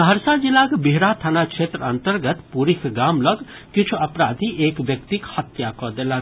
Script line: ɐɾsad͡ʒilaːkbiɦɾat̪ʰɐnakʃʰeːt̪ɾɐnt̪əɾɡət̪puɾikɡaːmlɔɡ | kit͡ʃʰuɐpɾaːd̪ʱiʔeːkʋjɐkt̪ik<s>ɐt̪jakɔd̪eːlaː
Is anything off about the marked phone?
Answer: yes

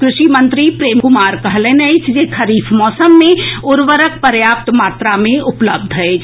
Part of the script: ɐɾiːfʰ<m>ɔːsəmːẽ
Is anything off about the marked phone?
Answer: no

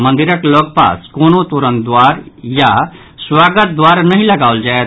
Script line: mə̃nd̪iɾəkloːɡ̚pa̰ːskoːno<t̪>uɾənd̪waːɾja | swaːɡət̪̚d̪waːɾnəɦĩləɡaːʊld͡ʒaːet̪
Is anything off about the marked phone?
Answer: no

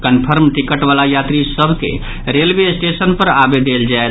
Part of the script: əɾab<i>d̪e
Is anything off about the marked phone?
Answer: yes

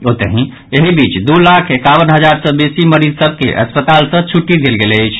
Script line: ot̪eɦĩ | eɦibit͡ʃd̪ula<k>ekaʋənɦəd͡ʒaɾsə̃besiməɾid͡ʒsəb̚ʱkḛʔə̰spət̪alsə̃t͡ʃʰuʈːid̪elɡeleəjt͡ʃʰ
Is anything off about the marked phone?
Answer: yes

